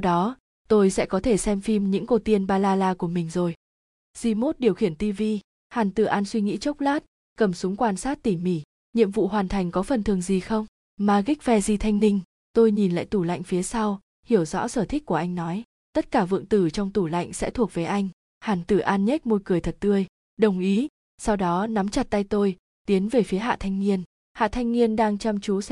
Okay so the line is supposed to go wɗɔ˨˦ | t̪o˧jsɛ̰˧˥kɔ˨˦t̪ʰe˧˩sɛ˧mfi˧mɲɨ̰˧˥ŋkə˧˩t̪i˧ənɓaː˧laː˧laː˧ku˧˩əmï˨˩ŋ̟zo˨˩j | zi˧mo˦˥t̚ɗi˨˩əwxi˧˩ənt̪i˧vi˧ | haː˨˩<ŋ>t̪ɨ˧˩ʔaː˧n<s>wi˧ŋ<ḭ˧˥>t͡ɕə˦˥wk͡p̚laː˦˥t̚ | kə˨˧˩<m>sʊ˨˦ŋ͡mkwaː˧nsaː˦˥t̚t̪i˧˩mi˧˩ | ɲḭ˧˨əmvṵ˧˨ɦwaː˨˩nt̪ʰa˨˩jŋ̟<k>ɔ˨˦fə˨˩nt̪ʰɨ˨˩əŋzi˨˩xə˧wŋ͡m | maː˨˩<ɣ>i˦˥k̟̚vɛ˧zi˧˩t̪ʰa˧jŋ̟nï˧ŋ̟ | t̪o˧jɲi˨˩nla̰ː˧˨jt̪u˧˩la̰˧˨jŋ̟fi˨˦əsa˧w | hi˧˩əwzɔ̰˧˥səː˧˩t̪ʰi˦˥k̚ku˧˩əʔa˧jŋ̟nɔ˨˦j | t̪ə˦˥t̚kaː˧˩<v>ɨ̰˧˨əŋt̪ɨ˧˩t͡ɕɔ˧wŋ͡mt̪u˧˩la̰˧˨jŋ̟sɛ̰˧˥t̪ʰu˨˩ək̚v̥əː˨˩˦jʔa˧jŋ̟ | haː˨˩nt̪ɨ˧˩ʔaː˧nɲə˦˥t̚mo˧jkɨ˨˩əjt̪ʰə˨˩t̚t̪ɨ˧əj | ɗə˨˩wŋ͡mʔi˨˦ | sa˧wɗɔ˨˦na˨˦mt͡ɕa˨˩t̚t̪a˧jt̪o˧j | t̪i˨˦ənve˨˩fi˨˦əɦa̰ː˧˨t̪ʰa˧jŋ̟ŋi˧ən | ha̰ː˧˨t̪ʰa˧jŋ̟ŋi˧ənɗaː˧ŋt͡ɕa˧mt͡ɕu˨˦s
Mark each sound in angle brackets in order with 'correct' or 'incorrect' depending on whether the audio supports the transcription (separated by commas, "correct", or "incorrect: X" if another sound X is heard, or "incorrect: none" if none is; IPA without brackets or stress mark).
incorrect: n, correct, correct, correct, correct, correct, correct